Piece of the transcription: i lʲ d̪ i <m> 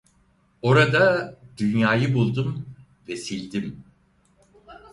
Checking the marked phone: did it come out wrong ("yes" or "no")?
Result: no